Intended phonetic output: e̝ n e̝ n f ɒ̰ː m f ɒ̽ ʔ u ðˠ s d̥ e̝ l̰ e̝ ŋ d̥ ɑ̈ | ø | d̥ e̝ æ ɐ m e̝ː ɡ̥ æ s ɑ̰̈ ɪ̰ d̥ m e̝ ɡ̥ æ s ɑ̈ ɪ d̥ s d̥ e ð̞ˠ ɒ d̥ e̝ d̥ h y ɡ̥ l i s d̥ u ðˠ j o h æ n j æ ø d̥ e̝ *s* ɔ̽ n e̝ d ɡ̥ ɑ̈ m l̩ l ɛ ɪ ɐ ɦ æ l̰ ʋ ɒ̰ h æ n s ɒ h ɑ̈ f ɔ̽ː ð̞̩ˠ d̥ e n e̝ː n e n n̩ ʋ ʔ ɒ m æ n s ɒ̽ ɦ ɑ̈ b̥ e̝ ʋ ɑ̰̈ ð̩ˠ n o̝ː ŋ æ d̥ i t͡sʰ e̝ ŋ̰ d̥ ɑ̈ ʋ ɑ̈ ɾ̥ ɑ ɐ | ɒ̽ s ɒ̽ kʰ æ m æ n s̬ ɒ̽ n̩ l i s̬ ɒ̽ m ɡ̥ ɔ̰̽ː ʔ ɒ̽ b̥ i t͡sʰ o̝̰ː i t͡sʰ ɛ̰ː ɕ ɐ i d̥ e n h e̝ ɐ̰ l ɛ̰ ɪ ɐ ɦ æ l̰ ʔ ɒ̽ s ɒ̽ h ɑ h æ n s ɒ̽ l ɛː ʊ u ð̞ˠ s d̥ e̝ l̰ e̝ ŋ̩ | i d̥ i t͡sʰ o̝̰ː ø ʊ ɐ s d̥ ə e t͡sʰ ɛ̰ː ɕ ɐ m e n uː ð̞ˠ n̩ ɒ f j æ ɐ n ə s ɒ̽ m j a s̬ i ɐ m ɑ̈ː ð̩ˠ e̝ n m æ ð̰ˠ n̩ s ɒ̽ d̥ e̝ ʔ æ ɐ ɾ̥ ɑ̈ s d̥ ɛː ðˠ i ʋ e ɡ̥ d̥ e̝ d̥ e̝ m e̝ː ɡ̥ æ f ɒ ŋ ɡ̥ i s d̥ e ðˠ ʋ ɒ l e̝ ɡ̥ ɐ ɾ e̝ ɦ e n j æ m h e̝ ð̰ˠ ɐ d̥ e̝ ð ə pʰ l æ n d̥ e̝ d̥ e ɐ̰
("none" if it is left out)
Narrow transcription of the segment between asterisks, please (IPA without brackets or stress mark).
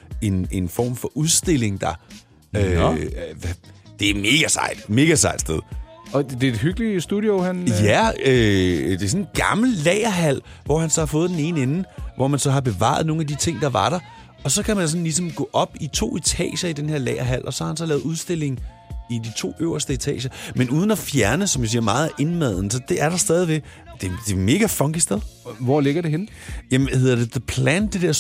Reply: s